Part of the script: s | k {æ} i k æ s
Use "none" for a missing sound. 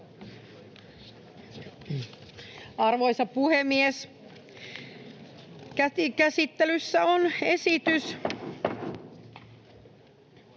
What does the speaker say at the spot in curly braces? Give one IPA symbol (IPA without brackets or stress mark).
æ